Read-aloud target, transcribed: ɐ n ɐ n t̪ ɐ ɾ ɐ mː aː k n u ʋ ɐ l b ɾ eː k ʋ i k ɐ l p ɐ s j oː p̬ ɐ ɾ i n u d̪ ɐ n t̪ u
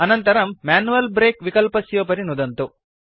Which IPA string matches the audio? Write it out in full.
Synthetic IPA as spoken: ɐ n ɐ n t̪ ɐ ɾ ɐ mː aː n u ʋ ɐ l b ɾ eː k ʋ i k ɐ l p ɐ s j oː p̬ ɐ ɾ i n u d̪ ɐ n t̪ u